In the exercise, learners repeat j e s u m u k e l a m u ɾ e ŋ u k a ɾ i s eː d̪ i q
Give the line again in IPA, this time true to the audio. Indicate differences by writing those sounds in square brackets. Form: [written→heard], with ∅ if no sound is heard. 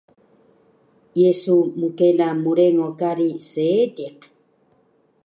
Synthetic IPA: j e s u m u k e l a m u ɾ e ŋ [u→o] k a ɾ i s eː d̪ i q